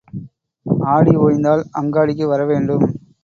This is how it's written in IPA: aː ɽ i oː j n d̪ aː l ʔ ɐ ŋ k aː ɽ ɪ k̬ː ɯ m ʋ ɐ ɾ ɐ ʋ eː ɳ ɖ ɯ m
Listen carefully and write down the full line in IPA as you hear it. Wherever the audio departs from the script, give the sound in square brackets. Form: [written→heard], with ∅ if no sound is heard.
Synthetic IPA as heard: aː ɽ i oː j n d̪ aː l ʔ ɐ ŋ [k→ɡ] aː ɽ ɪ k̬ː ɯ [m→∅] ʋ ɐ ɾ ɐ ʋ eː ɳ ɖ ɯ m